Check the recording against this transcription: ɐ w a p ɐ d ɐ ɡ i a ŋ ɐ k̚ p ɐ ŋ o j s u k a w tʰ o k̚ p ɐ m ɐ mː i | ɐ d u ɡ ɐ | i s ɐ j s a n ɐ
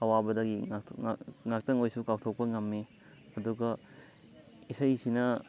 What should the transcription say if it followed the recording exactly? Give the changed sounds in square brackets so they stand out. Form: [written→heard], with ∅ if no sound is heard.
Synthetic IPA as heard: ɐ w a [p→b] ɐ d ɐ ɡ i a ŋ [ɐ→a] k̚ [p→t] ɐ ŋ o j s u k a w tʰ o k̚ p ɐ [m→ŋ] ɐ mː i | ɐ d u ɡ ɐ | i s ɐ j s [a→i] n ɐ